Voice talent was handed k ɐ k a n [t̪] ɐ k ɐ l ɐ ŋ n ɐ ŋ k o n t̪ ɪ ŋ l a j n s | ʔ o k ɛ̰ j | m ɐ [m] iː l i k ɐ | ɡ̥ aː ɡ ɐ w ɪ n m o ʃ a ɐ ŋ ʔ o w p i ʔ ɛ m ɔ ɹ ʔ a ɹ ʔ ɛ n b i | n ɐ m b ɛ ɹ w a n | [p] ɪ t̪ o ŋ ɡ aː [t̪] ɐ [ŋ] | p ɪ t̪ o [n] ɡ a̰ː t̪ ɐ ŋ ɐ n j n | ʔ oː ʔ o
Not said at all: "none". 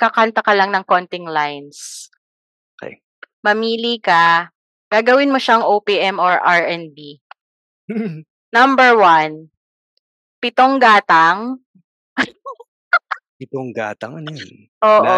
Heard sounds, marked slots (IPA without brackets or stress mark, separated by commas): t̪, m, p, t̪, ŋ, ŋ